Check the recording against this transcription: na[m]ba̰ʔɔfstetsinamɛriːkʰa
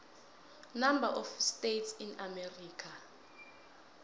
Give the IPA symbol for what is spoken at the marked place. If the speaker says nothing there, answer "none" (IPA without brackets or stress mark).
m